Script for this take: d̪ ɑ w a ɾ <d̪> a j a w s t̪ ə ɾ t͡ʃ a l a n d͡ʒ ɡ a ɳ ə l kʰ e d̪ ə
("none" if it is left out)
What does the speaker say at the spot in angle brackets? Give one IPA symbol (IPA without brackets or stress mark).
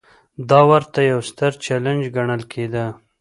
t̪